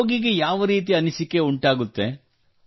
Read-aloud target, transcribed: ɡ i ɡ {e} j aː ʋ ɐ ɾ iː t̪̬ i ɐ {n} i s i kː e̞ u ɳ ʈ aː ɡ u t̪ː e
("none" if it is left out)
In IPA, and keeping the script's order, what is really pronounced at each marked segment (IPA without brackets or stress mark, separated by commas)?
e, n